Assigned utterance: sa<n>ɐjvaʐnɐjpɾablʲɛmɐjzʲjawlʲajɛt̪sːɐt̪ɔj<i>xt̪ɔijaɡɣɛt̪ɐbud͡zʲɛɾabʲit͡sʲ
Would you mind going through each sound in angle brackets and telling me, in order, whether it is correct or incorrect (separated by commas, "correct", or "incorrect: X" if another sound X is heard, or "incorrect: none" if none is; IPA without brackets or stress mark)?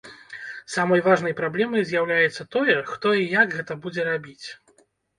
incorrect: m, incorrect: ɛ